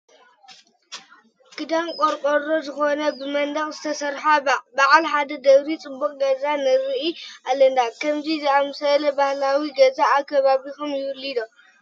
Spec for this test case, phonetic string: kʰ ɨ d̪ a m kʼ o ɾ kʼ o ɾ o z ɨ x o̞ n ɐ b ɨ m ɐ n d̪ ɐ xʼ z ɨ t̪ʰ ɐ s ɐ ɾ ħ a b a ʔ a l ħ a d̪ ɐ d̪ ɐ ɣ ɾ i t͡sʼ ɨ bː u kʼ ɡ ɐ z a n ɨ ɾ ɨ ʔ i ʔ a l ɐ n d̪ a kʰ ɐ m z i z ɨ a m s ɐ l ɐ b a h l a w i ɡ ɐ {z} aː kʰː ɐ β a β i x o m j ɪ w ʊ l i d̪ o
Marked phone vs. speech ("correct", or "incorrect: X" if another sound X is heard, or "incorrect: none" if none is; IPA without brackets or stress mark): correct